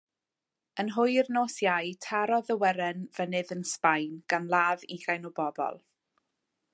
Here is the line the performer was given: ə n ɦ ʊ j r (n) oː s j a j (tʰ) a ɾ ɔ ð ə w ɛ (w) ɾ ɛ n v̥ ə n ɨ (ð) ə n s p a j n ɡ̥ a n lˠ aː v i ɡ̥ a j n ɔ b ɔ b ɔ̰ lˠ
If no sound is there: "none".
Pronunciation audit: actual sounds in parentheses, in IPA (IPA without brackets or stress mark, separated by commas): n, tʰ, none, ð